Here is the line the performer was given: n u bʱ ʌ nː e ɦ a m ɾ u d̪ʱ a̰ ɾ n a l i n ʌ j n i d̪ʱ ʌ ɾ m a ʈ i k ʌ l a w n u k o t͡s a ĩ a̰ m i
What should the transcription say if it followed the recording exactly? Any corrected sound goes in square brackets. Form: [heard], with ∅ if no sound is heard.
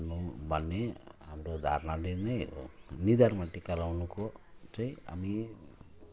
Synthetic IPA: n u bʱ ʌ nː e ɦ a m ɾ [o] d̪ʱ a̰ ɾ n a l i n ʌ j n i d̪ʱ [a] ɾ m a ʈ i k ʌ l a w n u k o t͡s a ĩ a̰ m i